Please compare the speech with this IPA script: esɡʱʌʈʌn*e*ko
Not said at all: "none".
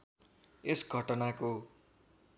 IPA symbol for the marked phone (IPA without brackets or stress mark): a